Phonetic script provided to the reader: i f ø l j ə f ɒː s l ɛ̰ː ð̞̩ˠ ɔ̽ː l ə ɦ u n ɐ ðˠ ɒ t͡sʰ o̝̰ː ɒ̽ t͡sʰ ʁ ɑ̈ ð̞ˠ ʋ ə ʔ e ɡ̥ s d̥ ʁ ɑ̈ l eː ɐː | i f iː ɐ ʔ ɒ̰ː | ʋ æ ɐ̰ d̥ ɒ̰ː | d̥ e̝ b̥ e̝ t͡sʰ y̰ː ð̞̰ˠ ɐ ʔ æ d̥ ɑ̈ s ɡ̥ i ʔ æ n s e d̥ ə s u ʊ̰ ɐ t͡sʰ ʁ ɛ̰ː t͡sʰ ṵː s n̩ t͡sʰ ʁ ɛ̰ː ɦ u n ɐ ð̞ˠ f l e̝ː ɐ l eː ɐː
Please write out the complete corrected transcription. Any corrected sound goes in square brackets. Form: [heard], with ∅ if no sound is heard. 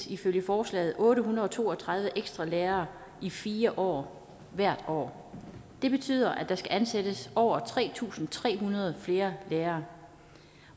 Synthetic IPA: i f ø l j ə f ɒː s l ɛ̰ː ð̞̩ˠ ɔ̽ː [ɾ] ə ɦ u n ɐ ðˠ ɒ t͡sʰ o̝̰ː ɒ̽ t͡sʰ ʁ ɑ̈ ð̞ˠ ʋ ə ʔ e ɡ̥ s d̥ ʁ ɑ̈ l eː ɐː | i f iː ɐ ʔ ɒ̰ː | ʋ æ ɐ̰ d̥ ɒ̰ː | d̥ e̝ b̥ e̝ t͡sʰ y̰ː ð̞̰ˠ ɐ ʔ æ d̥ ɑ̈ s ɡ̥ [æ] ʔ æ n s e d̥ ə s [ɒ] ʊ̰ ɐ t͡sʰ ʁ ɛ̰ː t͡sʰ ṵː s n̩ t͡sʰ ʁ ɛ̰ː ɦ u n ɐ ð̞ˠ f l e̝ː ɐ l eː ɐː